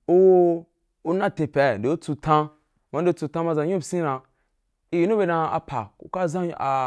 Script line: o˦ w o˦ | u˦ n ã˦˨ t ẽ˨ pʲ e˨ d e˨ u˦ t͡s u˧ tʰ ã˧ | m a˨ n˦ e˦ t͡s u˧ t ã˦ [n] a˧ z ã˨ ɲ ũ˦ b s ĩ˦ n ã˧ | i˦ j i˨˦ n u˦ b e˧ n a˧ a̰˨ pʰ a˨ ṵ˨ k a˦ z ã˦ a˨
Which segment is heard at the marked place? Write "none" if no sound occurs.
m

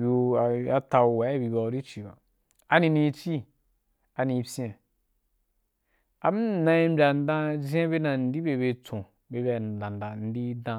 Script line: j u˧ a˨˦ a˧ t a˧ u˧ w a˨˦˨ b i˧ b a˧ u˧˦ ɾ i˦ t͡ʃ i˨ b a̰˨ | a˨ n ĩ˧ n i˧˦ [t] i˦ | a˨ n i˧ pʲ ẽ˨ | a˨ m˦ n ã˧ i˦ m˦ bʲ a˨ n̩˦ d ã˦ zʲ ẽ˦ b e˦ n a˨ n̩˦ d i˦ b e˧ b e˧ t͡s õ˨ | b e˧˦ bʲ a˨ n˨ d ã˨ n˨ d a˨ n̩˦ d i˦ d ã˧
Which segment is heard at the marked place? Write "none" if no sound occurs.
t͡ʃ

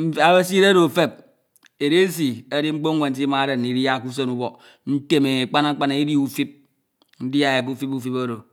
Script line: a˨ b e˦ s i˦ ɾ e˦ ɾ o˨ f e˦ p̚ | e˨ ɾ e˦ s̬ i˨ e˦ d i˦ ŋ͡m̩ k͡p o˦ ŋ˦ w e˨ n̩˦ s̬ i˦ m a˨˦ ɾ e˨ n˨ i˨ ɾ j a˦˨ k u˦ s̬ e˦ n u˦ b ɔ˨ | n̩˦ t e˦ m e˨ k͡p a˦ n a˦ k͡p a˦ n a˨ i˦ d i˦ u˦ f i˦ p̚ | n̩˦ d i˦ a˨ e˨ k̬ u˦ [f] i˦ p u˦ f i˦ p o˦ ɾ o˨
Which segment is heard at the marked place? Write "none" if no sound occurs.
f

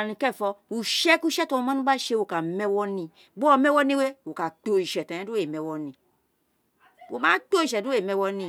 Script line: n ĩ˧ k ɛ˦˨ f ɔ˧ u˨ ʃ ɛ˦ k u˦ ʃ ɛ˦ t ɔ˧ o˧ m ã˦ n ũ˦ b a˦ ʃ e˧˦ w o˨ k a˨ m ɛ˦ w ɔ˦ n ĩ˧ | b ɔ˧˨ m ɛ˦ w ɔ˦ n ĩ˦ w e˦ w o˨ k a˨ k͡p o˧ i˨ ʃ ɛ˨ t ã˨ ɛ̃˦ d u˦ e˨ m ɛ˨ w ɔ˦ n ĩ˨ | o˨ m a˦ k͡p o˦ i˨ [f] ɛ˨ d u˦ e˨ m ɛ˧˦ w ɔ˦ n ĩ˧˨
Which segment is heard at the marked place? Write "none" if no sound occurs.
ʃ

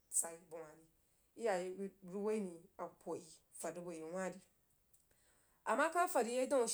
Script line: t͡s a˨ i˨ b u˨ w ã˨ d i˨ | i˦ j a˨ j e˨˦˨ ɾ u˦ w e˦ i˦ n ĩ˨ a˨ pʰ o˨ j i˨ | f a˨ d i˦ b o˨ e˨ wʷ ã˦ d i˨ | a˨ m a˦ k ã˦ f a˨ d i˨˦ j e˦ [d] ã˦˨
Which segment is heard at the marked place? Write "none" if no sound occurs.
d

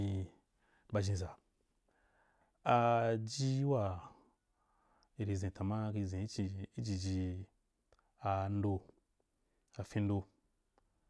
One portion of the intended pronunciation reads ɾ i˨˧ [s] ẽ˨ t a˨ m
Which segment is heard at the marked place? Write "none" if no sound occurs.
z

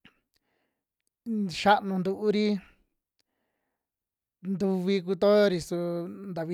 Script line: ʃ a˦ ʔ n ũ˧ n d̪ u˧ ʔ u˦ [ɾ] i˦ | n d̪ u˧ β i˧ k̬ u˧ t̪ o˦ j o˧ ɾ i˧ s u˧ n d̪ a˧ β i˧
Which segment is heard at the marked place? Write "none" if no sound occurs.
ɾ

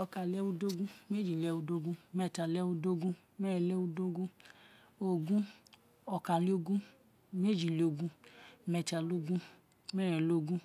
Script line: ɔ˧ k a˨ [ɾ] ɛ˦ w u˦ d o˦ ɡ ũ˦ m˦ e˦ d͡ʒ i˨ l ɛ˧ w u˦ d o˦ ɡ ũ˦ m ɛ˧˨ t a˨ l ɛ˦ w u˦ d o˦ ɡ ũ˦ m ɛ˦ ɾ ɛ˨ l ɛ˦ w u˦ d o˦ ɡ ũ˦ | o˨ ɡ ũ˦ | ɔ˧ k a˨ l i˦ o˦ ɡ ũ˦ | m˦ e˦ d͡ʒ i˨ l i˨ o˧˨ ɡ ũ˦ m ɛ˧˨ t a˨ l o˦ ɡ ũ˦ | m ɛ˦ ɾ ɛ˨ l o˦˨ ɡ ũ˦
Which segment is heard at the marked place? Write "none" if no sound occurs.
l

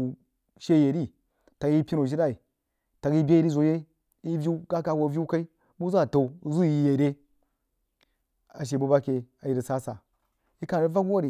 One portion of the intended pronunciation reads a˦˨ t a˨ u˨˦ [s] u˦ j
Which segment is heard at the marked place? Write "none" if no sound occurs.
z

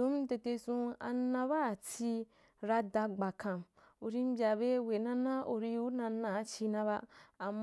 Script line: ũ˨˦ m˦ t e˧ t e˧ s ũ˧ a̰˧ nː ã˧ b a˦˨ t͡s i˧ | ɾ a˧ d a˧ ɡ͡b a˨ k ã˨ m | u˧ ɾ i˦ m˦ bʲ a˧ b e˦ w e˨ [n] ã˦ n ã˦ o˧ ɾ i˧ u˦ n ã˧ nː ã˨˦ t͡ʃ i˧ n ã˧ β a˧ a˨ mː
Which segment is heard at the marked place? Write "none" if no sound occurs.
n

